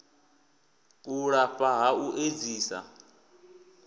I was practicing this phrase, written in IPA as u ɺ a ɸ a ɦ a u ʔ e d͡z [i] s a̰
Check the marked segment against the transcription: incorrect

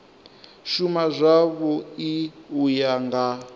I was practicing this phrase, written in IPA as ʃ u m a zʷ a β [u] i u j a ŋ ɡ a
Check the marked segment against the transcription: incorrect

